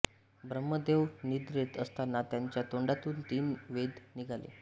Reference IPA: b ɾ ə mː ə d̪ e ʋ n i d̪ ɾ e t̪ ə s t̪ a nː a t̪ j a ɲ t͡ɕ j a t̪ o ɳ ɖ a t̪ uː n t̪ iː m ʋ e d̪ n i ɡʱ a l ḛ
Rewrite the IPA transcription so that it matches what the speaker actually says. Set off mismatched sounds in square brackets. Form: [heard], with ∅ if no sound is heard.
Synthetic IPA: b ɾ ə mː ə d̪ e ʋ n i d̪ ɾ e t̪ ə s t̪ a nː a t̪ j a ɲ t͡ɕ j a t̪ o ɳ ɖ a t̪ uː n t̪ iː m ʋ e d̪ n i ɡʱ a l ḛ